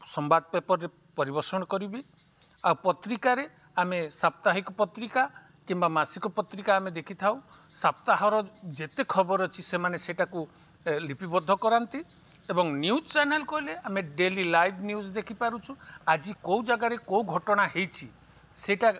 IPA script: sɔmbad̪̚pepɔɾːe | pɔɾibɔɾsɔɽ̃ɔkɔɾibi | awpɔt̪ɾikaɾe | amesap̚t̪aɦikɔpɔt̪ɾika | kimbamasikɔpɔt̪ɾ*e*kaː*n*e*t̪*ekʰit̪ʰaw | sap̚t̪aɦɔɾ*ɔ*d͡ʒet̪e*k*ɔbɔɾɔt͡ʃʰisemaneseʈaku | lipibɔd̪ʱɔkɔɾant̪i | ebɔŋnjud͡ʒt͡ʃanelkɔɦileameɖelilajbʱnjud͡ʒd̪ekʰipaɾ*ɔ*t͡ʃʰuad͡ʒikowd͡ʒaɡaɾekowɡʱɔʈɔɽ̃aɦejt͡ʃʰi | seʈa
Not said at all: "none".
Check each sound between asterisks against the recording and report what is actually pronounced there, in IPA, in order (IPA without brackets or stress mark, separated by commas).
i, m, d̪, ɔ, kʰ, u